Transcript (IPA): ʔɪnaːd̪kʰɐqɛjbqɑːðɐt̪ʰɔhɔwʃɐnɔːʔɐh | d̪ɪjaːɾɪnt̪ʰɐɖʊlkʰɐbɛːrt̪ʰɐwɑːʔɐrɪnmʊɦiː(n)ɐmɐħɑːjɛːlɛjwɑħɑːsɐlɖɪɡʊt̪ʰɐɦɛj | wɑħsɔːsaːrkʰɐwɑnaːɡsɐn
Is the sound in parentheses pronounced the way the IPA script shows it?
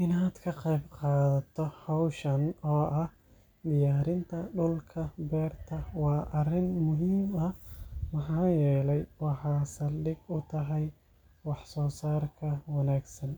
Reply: no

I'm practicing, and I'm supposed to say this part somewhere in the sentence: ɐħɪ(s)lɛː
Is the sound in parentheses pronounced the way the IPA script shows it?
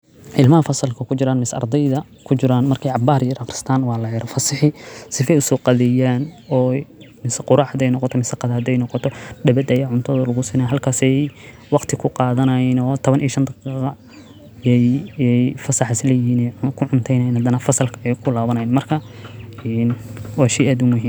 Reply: yes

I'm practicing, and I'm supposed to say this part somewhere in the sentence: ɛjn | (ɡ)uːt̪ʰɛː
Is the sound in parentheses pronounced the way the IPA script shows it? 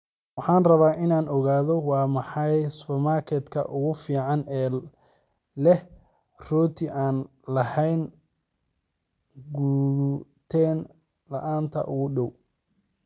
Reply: yes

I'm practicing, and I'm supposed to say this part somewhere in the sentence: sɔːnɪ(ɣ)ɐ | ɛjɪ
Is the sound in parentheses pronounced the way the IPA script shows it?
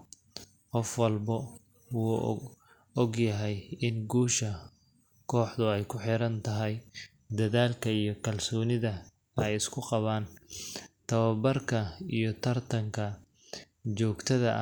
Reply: no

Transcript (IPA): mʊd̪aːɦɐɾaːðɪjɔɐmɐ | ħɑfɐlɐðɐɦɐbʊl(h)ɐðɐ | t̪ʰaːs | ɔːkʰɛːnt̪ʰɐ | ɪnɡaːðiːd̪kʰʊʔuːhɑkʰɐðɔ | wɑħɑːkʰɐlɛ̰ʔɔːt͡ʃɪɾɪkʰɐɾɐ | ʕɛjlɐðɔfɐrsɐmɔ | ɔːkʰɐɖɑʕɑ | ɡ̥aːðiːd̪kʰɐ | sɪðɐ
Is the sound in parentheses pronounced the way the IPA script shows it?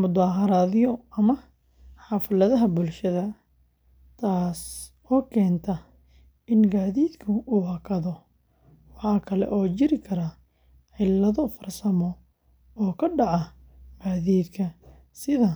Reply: no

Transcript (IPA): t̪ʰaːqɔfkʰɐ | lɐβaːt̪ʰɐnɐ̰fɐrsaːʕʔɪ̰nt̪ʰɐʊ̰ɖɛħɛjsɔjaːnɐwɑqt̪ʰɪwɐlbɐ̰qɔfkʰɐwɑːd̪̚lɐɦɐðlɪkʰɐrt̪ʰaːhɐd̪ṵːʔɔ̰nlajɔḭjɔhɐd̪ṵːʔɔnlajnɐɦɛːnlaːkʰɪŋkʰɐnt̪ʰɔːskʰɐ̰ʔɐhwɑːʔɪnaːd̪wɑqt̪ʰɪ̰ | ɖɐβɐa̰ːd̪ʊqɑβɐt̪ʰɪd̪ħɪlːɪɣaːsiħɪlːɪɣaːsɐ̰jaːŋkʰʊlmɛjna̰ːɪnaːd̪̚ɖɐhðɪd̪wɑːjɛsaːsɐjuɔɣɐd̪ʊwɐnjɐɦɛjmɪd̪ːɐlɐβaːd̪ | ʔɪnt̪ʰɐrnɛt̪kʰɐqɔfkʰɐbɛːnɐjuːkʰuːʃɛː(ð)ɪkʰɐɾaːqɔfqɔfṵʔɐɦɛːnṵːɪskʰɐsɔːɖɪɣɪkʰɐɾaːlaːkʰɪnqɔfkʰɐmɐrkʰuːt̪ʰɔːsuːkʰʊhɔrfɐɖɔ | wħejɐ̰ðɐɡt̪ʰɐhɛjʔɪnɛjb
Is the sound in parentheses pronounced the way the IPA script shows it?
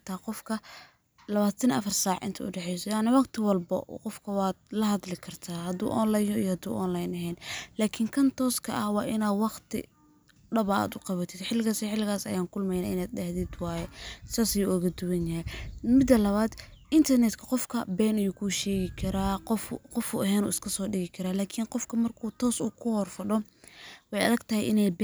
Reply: no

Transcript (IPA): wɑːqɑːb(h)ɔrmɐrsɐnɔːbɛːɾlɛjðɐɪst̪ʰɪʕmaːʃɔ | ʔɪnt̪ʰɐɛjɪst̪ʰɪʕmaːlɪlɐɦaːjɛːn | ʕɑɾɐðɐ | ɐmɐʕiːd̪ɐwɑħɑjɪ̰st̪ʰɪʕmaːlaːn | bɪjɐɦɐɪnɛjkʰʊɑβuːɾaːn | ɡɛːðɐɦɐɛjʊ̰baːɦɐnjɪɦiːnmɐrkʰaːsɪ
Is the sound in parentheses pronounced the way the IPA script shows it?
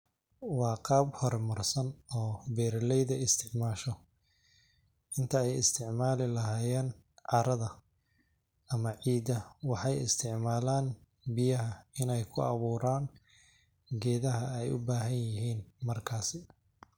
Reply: yes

